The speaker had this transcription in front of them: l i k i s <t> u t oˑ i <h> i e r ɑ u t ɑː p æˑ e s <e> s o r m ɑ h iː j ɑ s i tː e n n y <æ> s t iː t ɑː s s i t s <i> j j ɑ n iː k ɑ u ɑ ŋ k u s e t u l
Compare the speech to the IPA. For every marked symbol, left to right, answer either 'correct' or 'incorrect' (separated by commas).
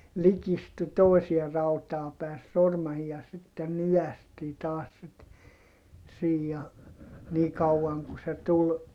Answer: correct, incorrect, correct, correct, incorrect